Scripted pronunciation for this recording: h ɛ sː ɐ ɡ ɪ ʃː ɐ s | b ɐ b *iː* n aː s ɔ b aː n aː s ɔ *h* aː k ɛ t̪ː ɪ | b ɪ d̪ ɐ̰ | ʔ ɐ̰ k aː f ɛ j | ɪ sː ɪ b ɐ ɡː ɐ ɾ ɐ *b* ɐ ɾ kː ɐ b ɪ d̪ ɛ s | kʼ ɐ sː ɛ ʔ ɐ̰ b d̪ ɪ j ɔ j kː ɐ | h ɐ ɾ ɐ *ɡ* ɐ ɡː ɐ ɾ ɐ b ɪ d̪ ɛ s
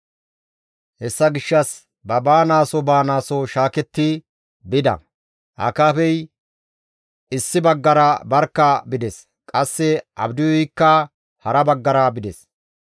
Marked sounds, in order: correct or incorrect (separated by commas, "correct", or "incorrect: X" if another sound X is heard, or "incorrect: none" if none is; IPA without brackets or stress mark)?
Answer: incorrect: aː, incorrect: ʃ, correct, incorrect: b